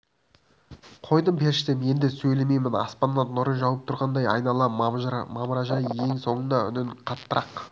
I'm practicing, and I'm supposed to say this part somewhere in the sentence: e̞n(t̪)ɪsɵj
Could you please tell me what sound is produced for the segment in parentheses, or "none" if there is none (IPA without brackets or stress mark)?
d̪